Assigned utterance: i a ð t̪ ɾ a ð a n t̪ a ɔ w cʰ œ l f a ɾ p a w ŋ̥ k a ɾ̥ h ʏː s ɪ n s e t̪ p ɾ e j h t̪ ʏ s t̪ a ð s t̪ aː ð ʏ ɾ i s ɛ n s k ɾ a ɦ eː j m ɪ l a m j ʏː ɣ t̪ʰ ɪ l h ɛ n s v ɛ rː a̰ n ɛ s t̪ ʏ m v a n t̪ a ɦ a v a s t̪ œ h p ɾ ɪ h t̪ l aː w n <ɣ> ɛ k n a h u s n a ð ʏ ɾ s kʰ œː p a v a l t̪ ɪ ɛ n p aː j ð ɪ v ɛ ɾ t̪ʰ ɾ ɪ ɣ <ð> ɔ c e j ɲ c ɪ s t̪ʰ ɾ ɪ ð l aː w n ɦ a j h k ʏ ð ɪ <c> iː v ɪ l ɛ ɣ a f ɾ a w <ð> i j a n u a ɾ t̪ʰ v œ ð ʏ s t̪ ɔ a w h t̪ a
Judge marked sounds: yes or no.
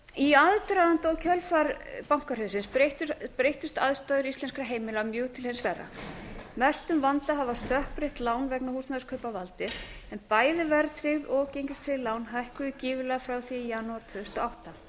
no, yes, yes, no

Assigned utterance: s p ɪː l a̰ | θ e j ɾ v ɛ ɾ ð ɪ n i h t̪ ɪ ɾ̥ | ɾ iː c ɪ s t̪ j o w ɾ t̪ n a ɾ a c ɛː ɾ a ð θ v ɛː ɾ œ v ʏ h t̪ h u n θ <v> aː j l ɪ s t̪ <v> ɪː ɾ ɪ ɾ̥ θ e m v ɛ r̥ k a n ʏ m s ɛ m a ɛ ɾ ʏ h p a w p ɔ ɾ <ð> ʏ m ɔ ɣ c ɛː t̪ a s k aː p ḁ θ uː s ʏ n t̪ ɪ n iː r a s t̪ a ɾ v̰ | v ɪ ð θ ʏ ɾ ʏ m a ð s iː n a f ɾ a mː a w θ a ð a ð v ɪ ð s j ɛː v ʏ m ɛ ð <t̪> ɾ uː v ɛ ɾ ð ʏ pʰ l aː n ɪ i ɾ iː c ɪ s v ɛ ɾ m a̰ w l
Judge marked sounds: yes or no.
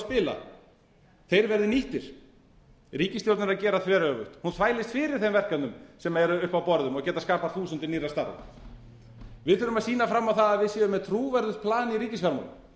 yes, no, yes, no

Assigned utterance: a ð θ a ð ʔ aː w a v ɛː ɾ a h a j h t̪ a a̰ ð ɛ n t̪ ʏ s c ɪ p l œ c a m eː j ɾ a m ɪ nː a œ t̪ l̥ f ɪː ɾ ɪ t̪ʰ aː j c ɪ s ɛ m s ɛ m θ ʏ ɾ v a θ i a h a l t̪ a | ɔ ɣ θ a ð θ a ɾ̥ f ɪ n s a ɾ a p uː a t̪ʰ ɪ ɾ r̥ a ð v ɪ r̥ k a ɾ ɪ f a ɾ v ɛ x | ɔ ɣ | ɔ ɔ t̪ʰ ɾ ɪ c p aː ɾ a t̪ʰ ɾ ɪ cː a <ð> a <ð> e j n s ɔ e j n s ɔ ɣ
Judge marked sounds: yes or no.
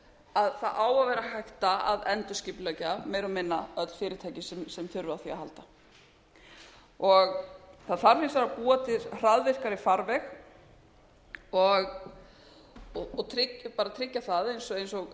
no, yes

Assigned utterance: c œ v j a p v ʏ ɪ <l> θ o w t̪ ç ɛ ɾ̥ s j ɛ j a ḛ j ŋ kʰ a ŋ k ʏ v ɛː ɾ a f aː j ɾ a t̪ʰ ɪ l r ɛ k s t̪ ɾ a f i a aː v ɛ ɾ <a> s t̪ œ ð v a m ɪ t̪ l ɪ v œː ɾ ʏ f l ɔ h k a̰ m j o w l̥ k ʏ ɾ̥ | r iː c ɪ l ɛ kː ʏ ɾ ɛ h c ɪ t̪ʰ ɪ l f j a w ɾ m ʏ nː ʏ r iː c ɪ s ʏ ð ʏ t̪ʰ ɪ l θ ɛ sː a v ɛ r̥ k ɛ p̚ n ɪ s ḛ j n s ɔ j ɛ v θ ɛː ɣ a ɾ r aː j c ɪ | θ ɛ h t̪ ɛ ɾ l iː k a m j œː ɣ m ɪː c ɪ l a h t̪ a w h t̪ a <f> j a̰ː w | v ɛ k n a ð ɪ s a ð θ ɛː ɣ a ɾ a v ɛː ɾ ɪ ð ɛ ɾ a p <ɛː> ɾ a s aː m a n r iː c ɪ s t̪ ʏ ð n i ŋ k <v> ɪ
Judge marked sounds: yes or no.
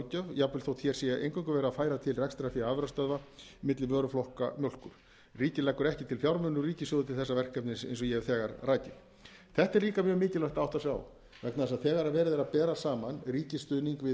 yes, yes, no, yes, yes

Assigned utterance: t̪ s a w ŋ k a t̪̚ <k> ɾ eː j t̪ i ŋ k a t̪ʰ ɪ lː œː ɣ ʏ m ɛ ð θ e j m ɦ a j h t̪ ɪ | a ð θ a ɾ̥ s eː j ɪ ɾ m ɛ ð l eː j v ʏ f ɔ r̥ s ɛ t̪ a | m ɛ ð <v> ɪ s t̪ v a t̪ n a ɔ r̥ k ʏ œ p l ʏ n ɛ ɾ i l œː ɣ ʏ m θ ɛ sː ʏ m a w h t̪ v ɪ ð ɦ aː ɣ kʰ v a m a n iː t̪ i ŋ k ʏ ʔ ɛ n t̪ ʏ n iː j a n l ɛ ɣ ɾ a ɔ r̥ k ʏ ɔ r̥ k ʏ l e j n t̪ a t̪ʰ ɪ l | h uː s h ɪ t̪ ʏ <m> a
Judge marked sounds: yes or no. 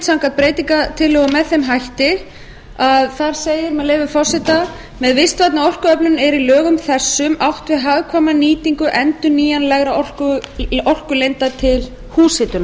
no, yes, no

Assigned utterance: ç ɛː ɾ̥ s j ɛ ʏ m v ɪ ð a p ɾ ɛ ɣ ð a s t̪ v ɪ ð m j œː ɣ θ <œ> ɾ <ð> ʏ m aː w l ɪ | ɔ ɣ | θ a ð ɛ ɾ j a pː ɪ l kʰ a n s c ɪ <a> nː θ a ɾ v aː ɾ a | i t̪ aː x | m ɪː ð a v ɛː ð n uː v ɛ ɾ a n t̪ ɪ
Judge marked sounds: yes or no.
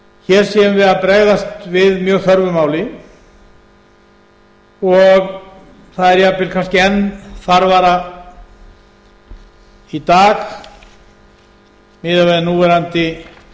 yes, no, no

